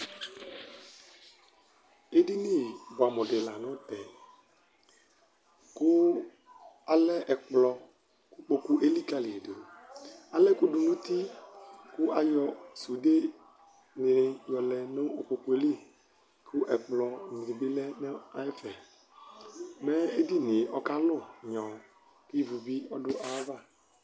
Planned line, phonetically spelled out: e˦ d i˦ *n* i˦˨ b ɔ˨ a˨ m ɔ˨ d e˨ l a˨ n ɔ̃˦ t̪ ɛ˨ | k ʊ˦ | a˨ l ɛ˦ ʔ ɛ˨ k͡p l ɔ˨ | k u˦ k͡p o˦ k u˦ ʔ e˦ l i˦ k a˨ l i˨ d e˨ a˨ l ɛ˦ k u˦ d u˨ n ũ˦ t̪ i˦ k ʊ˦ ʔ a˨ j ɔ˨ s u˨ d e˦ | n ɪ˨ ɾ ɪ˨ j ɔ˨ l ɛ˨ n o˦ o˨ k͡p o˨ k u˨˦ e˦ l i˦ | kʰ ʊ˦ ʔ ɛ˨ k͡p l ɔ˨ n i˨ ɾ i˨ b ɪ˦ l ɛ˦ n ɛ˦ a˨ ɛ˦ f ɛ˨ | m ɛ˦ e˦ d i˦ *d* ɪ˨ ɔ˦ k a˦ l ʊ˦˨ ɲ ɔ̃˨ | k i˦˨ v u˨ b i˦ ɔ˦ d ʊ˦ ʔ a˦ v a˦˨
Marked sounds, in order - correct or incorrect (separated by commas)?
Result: correct, incorrect